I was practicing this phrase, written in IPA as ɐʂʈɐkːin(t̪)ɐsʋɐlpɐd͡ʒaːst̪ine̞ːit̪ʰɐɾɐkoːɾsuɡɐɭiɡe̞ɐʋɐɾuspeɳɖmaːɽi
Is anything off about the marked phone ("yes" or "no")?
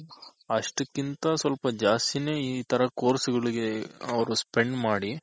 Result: no